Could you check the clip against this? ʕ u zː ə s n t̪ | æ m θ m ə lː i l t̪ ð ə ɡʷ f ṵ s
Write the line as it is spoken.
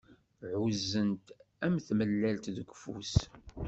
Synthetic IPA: ʕ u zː ə n t̪ | æ m θ m ə lː æ l t̪ ð ə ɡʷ f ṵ s

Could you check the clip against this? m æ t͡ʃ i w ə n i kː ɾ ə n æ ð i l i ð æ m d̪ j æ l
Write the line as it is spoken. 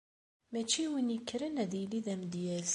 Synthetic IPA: m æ t͡ʃ i w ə n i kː ɾ ə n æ ð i l i ð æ m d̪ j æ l

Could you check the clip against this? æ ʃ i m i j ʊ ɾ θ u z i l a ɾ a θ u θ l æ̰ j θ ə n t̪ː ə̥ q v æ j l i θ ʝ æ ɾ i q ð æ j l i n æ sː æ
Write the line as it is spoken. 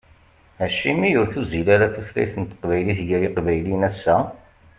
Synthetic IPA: æ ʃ i m i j ʊ ɾ θ u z i l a ɾ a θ u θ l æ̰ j θ ə n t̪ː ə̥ q v æ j l i θ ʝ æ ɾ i q v æ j l i n æ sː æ

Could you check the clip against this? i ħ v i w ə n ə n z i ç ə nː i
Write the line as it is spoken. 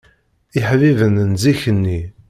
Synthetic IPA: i ħ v i v ə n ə n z i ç ə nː i

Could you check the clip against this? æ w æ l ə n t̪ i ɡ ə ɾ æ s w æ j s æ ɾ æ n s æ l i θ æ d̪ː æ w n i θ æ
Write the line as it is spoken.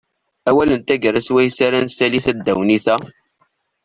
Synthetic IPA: æ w æ l ə n t̪ æ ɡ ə ɾ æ s w æ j s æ ɾ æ n s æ l i θ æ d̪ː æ w n i θ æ

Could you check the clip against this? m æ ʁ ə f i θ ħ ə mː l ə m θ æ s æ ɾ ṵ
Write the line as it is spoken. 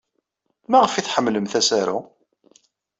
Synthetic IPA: m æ ʁ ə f i θ ħ ə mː l ə m θ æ s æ ɾ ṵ

